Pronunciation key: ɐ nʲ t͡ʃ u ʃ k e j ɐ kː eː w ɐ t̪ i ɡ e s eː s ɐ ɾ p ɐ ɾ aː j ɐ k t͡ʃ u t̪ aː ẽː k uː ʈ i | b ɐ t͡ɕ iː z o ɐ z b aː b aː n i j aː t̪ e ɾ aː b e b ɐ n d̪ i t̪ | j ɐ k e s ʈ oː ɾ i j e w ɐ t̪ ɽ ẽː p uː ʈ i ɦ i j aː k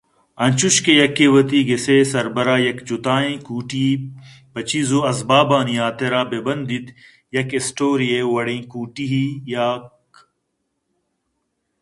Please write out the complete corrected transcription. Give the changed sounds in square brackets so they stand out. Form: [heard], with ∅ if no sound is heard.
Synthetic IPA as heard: ɐ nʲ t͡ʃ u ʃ k e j ɐ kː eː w ɐ t̪ i ɡ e s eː s ɐ ɾ [b] ɐ ɾ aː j ɐ k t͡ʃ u t̪ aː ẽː k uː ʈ i | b ɐ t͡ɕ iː z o ɐ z b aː b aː n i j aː t̪ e ɾ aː b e b ɐ n d̪ i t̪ | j ɐ k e s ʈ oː ɾ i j e w ɐ [∅] ɽ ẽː [k] uː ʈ i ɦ i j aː k